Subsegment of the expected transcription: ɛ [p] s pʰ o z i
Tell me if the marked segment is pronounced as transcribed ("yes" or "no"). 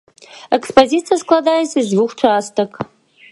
no